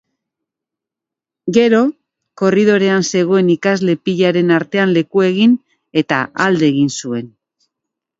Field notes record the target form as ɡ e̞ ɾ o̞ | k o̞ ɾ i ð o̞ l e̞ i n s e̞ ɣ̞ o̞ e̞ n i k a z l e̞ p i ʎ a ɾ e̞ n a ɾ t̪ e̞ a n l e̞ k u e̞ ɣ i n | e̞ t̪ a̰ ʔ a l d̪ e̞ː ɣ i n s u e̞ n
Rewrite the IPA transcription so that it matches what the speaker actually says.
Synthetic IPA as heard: ɡ e̞ ɾ o̞ | k o̞ r i ð o̞ ɾ e̞ a n s e̞ ɣ̞ o̞ e̞ n i k a z l e̞ p i ʎ a ɾ e̞ n a ɾ t̪ e̞ a n l e̞ k u e̞ ɣ i n | e̞ t̪ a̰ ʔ a l d̪ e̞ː ɣ i n s u e̞ n

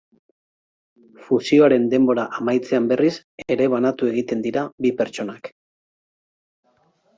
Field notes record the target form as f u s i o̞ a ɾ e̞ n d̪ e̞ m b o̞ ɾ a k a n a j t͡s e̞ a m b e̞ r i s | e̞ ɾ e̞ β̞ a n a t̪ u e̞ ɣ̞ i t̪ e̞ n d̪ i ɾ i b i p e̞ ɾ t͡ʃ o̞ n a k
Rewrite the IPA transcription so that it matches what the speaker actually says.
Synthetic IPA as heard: f u s i o̞ a ɾ e̞ n d̪ e̞ m b o̞ ɾ a ʔ a m a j t͡s e̞ a m b e̞ r i s | e̞ ɾ e̞ β̞ a n a t̪ u e̞ ɣ̞ i t̪ e̞ n d̪ i ɾ a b i p e̞ ɾ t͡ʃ o̞ n a k

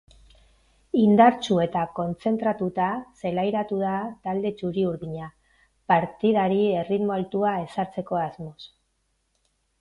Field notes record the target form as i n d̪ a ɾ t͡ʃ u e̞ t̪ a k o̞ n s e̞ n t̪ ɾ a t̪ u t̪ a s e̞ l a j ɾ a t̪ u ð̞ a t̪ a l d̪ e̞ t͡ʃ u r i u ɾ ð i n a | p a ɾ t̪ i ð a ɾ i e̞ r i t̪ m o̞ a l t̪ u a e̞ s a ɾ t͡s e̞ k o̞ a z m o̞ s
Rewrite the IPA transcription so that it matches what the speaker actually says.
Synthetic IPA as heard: i n d̪ a ɾ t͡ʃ u e̞ t̪ a k o̞ n t͡s e̞ n t̪ ɾ a t̪ u t̪ a s e̞ l a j ɾ a t̪ u ð̞ a t̪ a l d̪ e̞ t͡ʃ u ɾ i u ɾ ð i ɲ a | p a ɾ t̪ i ð a ɾ i e̞ r i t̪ m o̞ a l t̪ u a e̞ s a ɾ t͡s e̞ k o̞ a z m o̞ s

